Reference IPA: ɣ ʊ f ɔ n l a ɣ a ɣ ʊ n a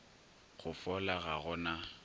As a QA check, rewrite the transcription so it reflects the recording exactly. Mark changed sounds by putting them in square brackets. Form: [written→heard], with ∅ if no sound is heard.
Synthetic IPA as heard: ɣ ʊ f ɔ [n→∅] l a ɣ a ɣ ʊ n a